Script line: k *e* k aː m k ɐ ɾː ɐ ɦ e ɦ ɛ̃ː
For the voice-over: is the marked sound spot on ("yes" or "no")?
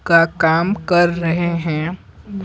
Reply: no